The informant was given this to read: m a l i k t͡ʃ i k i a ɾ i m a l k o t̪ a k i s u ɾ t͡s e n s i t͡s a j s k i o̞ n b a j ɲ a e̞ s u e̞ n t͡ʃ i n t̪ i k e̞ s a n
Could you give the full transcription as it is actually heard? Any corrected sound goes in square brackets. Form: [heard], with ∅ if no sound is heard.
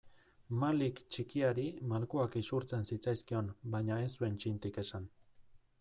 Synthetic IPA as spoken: m a l i k t͡ʃ i k i a ɾ i m a l k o [∅] a k i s u ɾ t͡s e n s i t͡s a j s k i o̞ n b a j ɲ a e̞ s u e̞ n t͡ʃ i n t̪ i k e̞ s a n